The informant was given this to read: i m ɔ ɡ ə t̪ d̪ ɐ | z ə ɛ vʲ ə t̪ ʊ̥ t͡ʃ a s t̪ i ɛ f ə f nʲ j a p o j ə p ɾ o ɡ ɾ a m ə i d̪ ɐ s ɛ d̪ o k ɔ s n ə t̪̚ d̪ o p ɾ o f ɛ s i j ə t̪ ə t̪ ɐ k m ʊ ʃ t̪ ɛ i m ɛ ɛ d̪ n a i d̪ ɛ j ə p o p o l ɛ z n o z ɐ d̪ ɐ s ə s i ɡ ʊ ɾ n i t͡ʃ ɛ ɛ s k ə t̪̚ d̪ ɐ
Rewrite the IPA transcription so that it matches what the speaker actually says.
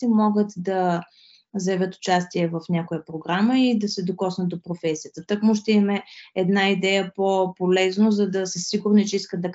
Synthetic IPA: i m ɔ ɡ ə t̪ d̪ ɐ | z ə ɛ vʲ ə t̪ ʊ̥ t͡ʃ a s t̪ i ɛ v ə f nʲ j a k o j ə p ɾ o ɡ ɾ a m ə i d̪ ɐ s ɛ d̪ o k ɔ s n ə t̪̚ d̪ o p ɾ o f ɛ s i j ə t̪ ə t̪ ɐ k m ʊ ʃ t̪ ɛ i m ɛ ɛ d̪ n a i d̪ ɛ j ə p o p o l ɛ z n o z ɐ d̪ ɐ s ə s i ɡ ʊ ɾ n i t͡ʃ ɛ i s k ə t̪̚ d̪ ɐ